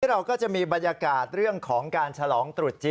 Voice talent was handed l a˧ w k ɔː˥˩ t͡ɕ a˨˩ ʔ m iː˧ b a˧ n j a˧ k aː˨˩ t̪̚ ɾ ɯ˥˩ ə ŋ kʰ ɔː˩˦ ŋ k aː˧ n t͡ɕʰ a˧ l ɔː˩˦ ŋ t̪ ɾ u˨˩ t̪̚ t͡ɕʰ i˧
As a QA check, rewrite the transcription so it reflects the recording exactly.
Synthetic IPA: ɾ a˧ w k ɔː˥˩ t͡ɕ a˨˩ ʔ m iː˧ b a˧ n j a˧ k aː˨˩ t̪̚ ɾ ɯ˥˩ ə ŋ kʰ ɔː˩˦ ŋ k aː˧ n t͡ɕʰ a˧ l ɔː˩˦ ŋ t̪ ɾ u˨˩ t̪̚ t͡ɕ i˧